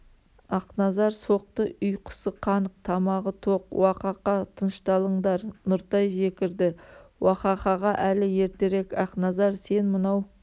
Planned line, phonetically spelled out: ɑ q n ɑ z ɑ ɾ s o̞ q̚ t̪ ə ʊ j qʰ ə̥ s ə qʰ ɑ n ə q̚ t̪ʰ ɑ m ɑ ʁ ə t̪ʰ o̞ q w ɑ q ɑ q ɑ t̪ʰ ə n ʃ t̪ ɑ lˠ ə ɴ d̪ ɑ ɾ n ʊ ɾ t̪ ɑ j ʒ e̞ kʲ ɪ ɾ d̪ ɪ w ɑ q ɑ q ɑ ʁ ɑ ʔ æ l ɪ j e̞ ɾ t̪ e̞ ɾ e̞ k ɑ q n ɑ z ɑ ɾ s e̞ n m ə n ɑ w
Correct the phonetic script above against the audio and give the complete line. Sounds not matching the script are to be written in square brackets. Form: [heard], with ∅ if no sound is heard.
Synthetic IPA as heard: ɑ q n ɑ z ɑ ɾ s o̞ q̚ t̪ ə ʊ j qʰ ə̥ s ə qʰ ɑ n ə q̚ t̪ʰ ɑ m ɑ ʁ ə t̪ʰ o̞ q w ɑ q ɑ q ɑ t̪ʰ ə n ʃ t̪ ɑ lˠ ə ɴ d̪ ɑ ɾ n ʊ ɾ t̪ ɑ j ʒ e̞ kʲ ɪ ɾ d̪ ɪ w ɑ q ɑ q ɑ ʁ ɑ ʔ æ l ɪ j e̞ ɾ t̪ e̞ ɾ e̞ k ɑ q n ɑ z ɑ ɾ s e̞ n m ə n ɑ w